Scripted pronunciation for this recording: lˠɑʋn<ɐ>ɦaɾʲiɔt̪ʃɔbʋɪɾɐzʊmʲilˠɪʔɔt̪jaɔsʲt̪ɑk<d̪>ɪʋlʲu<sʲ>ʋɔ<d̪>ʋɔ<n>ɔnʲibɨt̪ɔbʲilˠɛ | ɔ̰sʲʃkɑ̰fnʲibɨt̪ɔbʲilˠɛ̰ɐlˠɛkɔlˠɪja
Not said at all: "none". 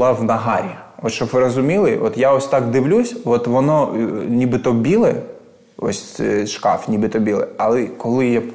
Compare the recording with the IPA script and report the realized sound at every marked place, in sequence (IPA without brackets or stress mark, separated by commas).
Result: ɐ, d̪, sʲ, t̪, n